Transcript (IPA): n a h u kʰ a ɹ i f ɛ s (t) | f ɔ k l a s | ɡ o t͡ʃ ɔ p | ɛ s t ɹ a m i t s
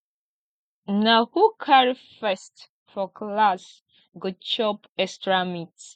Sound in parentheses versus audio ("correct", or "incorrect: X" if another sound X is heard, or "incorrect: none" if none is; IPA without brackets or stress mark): correct